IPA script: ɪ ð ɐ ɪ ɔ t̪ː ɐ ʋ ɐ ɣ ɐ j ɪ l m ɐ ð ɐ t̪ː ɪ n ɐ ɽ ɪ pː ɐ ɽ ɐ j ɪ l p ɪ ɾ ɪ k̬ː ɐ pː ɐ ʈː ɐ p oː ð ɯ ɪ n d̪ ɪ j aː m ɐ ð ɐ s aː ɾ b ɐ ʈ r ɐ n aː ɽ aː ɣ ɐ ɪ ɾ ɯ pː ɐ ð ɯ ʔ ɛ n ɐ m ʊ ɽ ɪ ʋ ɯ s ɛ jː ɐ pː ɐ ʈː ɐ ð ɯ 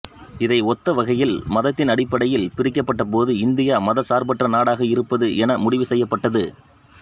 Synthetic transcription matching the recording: ɪ ð ɐ ɪ ɔ t̪ː ɐ ʋ ɐ ɣ ɐ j ɪ l m ɐ ð ɐ t̪ː ɪ n ɐ ɽ ɪ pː ɐ ɽ ɐ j ɪ l p ɪ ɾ ɪ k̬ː ɐ pː ɐ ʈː ɐ p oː ð ɯ ɪ n d̪ ɪ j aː m ɐ ð ɐ s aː ɾ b ɐ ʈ r ɐ n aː ɽ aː ɣ ɐ ɪ ɾ ɯ pː ɐ ð ɯ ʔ ɛ n ɐ m ʊ ɽ ɪ ʋ ɯ s ɛ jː ɐ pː ɐ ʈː ɐ ð ɯ